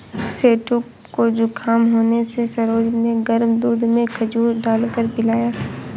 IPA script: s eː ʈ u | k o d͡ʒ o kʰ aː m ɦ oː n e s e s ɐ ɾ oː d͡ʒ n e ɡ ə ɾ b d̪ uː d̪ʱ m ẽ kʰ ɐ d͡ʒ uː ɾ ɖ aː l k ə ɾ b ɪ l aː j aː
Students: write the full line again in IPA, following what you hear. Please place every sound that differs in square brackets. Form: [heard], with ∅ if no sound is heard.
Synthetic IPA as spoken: s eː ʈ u | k o d͡ʒ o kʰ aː m ɦ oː n e s e s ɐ ɾ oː d͡ʒ n e ɡ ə ɾ [m] d̪ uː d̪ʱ m ẽ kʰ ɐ d͡ʒ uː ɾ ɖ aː l k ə ɾ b ɪ l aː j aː